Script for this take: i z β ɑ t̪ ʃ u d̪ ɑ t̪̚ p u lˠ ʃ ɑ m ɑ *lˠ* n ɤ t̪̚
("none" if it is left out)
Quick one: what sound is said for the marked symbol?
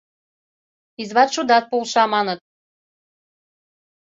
none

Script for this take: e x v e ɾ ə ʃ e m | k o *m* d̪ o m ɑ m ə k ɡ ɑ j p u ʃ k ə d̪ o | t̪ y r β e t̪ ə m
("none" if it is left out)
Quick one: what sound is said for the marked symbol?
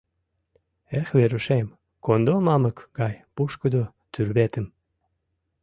n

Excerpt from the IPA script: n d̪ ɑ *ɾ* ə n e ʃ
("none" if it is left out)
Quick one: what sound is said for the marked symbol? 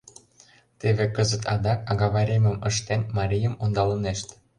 l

